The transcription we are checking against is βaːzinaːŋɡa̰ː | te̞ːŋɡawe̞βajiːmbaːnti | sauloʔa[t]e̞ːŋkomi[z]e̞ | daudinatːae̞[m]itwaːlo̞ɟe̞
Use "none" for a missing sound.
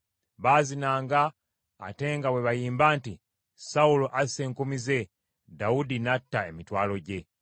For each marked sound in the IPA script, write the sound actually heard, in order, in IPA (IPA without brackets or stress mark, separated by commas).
s, z, m